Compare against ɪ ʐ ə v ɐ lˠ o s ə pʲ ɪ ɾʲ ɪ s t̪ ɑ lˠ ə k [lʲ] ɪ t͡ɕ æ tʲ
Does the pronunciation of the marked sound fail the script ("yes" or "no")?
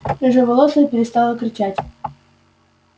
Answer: yes